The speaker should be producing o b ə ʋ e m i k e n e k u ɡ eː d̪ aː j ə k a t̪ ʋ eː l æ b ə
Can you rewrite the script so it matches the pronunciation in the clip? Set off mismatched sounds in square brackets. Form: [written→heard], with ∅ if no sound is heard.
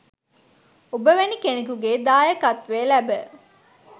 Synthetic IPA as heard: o b ə ʋ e [m→n] i k e n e k u ɡ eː d̪ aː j ə k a t̪ ʋ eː l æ b ə